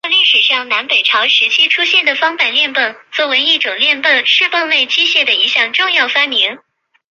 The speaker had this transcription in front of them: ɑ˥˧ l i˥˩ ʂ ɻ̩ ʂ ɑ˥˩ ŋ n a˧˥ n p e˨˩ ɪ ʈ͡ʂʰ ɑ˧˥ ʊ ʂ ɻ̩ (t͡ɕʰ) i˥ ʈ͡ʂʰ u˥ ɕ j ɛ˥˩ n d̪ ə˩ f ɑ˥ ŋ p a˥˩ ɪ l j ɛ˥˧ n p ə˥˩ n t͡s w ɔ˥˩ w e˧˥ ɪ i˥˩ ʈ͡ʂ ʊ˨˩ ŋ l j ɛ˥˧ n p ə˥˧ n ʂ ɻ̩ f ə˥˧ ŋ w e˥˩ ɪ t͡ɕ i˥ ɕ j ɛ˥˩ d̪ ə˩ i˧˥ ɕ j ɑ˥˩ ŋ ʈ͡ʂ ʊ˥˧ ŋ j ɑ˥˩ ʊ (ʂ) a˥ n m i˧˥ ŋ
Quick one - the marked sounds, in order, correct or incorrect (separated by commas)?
correct, incorrect